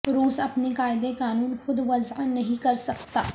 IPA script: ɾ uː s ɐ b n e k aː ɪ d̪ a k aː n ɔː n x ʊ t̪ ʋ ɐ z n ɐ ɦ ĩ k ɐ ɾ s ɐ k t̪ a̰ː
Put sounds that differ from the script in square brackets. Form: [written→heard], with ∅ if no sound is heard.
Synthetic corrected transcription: ɾ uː s ɐ [b→p] n e k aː ɪ d̪ [a→e] k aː n [ɔː→uː] n x ʊ [t̪→d̪] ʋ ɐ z n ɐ ɦ ĩ k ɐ ɾ s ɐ k t̪ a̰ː